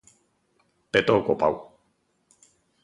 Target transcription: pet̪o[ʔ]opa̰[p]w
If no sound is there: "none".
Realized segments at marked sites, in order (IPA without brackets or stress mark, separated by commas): k, none